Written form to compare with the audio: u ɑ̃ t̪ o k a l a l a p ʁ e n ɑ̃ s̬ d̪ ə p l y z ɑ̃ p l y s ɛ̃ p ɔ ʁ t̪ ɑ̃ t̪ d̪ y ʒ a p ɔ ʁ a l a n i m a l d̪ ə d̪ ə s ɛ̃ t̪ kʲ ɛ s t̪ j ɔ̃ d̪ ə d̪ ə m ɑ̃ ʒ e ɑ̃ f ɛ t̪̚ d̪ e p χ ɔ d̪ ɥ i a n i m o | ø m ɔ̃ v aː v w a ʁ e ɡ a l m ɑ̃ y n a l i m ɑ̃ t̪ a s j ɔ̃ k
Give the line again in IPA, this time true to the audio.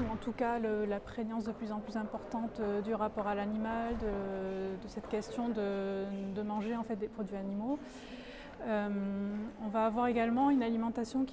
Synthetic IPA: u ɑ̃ t̪ u k a l ə l a p χ e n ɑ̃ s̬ d̪ ə p l y z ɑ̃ p l y z ɛ̃ p ɔ ʁ t̪ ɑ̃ t̪ d̪ y ʁ a p ɔ ʁ a l a n i m a l d̪ ə d̪ ə s ɛ t̪ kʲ ɛ s t̪ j ɔ̃ d̪ ə d̪ ə m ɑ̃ ʒ e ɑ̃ f ɛ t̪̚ d̪ e p χ ɔ d̪ ɥ i a n i m o | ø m ɔ̃ v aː v w a ʁ e ɡ a l m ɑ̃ y n a l i m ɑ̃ t̪ a s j ɔ̃ k